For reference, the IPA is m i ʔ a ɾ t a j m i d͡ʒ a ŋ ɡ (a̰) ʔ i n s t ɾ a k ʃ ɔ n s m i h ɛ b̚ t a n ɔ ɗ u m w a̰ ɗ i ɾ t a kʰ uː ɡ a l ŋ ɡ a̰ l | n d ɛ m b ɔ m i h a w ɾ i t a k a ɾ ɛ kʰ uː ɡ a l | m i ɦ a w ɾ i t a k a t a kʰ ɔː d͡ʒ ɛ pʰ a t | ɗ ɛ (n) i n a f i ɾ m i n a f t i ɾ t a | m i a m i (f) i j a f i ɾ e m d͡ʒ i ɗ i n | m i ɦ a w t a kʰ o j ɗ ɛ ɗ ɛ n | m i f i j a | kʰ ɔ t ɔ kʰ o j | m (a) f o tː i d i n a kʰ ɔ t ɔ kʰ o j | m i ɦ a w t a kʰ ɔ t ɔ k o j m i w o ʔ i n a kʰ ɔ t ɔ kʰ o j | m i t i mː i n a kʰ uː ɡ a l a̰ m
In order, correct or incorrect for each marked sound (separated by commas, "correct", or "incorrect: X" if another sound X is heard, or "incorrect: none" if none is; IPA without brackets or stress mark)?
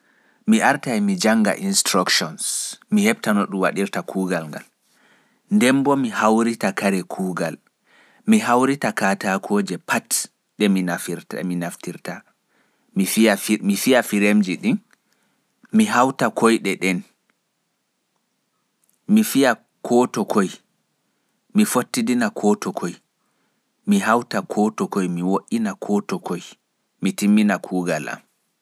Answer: correct, incorrect: m, correct, incorrect: i